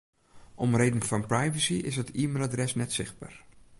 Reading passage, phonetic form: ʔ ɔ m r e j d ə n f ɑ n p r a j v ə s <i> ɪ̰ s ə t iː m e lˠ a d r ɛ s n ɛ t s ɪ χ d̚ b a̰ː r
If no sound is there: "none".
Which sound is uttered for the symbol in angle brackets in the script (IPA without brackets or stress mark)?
i